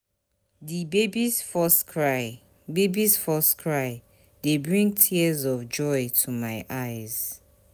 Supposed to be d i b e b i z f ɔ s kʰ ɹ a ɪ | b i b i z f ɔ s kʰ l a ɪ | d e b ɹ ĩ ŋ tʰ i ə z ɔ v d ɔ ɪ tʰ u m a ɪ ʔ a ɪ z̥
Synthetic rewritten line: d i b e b i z f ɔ s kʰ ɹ a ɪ | b e b i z f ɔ s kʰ ɹ a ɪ | d e b ɹ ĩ ŋ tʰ i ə z ɔ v d͡ʒ ɔ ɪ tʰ u m a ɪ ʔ a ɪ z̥